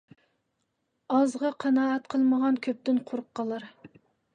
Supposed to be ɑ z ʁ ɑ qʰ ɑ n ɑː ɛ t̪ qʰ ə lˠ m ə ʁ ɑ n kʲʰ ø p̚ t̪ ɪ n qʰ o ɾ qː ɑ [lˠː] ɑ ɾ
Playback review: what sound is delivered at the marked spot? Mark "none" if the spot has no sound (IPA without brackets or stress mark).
lˠ